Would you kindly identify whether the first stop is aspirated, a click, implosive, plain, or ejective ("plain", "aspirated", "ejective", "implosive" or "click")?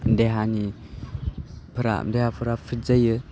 plain